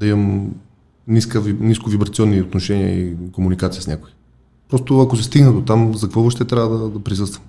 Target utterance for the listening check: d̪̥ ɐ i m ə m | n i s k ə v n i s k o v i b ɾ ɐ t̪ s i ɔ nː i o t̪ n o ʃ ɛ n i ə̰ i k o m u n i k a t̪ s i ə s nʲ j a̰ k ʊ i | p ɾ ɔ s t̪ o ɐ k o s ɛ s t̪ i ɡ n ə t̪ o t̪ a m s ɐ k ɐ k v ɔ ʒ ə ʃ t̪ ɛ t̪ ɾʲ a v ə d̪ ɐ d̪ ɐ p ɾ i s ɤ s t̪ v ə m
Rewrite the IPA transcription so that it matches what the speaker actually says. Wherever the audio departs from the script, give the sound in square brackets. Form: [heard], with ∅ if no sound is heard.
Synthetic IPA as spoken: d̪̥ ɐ i m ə m | n i s k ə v n i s k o v i b ɾ ɐ t̪ s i ɔ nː i o t̪ n o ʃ ɛ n i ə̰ i k o m u n i k a t̪ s i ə s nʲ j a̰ k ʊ i | p ɾ ɔ s t̪ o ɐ k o s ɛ s t̪ i ɡ n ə [d̪] o t̪ a m [z] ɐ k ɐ k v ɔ [v] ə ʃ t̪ ɛ t̪ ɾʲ a v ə d̪ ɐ d̪ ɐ p ɾ i s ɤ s t̪ v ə m